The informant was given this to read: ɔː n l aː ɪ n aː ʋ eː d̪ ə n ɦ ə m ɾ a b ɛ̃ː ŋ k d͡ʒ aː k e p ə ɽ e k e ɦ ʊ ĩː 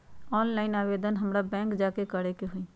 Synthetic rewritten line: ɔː n l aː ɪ n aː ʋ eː d̪ ə n ɦ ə m ɾ a b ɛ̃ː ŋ k d͡ʒ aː k e k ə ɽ e k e ɦ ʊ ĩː